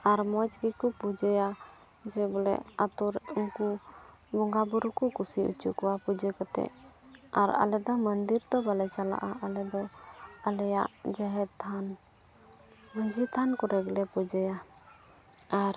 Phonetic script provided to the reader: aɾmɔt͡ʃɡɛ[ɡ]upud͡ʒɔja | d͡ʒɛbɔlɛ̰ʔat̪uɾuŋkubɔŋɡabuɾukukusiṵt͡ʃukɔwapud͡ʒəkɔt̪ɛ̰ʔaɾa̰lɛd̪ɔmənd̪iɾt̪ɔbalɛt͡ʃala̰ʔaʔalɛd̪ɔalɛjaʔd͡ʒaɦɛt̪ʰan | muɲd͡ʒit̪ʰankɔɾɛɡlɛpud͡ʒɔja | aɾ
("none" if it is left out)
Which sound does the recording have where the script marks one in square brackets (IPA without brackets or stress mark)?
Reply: k